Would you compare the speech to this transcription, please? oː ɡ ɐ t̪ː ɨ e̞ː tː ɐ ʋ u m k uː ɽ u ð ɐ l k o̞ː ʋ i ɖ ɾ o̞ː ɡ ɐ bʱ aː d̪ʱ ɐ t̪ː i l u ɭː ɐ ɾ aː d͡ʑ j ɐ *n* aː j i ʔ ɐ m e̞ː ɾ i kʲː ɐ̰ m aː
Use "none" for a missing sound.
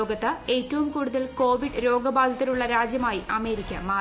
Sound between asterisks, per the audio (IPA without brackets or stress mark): m